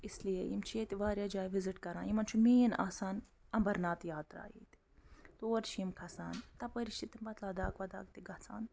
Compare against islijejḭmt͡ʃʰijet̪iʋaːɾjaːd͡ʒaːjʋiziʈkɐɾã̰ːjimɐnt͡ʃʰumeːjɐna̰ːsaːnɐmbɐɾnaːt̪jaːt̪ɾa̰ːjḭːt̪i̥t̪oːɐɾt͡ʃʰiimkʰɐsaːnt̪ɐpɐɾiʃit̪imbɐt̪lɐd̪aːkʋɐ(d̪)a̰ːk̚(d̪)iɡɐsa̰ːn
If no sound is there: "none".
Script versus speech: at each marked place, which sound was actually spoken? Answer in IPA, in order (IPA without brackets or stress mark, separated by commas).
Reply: d̪, t̪